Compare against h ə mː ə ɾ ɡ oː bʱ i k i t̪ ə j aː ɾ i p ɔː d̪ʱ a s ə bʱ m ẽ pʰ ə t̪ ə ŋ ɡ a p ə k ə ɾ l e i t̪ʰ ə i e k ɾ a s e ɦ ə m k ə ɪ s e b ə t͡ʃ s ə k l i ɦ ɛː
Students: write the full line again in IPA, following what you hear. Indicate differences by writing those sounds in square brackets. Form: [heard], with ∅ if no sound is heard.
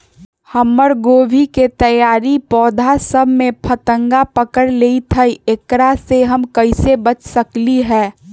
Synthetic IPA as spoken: h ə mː ə ɾ ɡ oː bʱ i k [e] t̪ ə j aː ɾ i p ɔː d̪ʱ a s ə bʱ m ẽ pʰ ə t̪ ə ŋ ɡ a p ə k ə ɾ l e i t̪ʰ ə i e k ɾ a s e ɦ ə m k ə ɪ s e b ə t͡ʃ s ə k l i ɦ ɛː

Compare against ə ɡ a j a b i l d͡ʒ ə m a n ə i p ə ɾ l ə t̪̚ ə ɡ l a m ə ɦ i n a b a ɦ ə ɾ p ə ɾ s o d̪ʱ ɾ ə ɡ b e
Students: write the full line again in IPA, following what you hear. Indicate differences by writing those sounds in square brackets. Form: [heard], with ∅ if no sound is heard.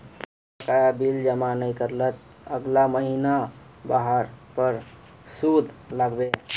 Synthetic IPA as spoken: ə [k] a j a b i l d͡ʒ ə m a n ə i [k] ə ɾ l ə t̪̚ ə ɡ l a m ə ɦ i n a b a ɦ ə ɾ p ə ɾ s [u] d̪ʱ [l] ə ɡ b e

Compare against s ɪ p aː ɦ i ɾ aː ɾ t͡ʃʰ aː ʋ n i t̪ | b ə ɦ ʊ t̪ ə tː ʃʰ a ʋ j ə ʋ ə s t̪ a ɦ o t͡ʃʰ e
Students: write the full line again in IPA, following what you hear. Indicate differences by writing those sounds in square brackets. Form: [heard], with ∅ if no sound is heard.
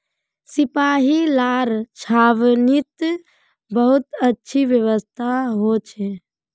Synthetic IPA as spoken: s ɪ p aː ɦ i [l] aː ɾ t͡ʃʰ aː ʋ n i t̪ | b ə ɦ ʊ t̪ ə tː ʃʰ [i] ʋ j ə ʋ ə s [t̪ʰ] a ɦ o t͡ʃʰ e

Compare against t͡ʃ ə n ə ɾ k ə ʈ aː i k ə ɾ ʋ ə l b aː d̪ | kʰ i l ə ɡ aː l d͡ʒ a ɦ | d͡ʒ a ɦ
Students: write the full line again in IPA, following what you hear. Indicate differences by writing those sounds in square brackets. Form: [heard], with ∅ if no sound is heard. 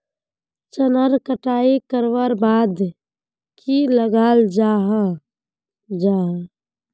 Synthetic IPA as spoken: t͡ʃ ə n ə ɾ k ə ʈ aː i k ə ɾ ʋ ə [ɾ] b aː d̪ | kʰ i l ə ɡ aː l d͡ʒ a ɦ | d͡ʒ a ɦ

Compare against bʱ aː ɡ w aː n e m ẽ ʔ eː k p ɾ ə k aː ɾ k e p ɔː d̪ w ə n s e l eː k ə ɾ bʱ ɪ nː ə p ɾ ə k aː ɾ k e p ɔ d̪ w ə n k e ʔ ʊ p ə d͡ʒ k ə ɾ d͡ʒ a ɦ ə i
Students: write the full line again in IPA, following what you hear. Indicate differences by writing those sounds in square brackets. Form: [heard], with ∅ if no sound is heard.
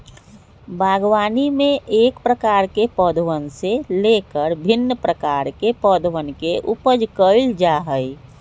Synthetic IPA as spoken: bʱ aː ɡ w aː n [i] m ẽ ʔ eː k p ɾ ə k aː ɾ k e p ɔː d̪ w ə n s e l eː k ə ɾ bʱ ɪ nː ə p ɾ ə k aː ɾ k e p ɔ d̪ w ə n k e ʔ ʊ p ə d͡ʒ k ə [l] d͡ʒ a ɦ ə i

